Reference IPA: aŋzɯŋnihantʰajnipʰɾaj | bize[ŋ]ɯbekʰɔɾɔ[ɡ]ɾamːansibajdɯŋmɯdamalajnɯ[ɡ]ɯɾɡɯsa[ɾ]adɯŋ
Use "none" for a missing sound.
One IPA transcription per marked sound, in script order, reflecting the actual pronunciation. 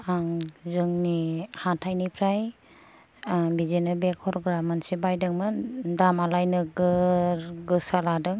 n, ɡ, ɡ, l

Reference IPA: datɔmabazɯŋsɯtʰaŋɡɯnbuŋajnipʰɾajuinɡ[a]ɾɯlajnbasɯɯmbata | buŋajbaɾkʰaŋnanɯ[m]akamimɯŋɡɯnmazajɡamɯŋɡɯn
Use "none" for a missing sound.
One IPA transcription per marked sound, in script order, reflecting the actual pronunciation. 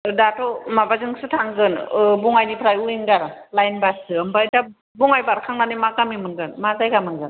a, m

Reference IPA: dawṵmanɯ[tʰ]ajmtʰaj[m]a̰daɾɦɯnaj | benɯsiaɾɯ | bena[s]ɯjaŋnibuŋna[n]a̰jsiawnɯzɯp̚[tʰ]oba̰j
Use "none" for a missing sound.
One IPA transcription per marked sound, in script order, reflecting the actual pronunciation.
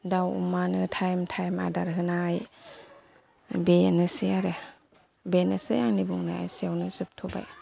tʰ, m, s, none, tʰ

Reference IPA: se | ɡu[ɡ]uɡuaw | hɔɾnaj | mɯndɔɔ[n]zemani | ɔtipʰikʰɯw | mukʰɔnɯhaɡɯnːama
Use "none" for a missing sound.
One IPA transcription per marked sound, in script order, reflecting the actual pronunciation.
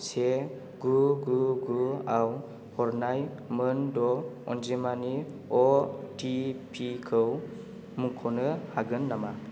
ɡ, n

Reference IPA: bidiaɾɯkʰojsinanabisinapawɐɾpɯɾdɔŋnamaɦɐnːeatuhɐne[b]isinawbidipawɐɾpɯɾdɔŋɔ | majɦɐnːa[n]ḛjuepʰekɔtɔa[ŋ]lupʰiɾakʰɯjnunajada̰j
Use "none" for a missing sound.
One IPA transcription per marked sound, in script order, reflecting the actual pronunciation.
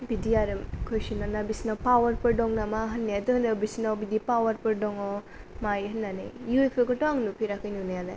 b, n, ŋ

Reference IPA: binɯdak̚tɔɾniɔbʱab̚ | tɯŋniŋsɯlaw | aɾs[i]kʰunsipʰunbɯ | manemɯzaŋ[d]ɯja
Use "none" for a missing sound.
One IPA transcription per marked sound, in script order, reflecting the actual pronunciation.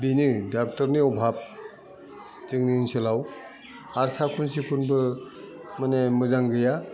a, ɡ

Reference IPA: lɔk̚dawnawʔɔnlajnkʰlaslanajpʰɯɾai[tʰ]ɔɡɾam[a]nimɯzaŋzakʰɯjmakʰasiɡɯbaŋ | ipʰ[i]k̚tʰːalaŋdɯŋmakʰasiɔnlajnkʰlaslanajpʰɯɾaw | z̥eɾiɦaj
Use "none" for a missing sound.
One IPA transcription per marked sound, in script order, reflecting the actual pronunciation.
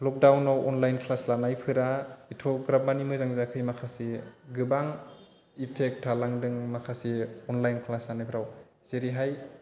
tʰ, a, e

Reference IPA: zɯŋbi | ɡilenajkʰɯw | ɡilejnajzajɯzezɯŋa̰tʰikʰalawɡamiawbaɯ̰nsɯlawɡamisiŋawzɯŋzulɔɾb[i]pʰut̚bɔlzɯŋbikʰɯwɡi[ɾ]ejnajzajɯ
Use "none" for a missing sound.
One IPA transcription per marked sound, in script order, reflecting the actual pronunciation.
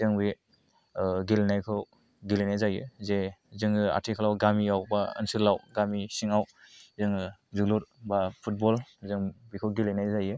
a, l

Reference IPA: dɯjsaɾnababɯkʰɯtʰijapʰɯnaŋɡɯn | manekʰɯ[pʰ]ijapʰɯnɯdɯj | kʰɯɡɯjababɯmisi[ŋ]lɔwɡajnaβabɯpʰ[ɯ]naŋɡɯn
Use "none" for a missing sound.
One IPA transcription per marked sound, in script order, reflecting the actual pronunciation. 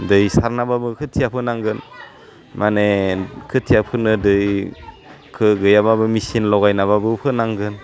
tʰ, n, ɯ

